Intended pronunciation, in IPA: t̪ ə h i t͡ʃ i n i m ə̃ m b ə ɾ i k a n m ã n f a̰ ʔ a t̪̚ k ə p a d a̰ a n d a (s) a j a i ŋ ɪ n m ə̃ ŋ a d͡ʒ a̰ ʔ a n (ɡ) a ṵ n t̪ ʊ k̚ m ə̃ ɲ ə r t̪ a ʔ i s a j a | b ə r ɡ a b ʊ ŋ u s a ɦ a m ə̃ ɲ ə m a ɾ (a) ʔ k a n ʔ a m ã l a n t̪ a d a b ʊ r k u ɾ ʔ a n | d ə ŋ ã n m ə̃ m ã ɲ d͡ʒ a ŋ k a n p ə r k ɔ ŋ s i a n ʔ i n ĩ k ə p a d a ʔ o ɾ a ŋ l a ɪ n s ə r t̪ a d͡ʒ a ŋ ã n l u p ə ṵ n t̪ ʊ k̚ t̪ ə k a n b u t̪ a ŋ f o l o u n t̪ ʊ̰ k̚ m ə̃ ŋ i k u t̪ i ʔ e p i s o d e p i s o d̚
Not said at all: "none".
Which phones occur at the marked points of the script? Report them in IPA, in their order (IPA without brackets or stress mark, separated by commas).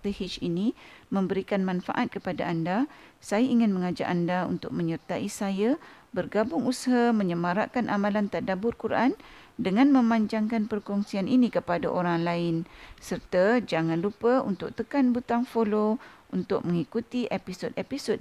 s, d, a